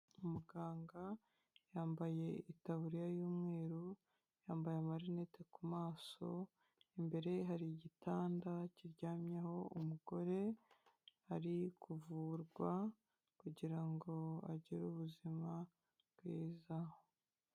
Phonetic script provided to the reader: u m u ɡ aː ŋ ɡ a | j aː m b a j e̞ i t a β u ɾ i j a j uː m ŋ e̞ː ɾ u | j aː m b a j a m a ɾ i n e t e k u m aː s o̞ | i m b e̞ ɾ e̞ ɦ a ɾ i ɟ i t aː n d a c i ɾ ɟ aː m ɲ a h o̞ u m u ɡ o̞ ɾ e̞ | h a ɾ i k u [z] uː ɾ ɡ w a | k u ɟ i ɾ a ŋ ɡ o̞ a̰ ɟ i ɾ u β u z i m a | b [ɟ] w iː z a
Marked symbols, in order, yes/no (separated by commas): no, no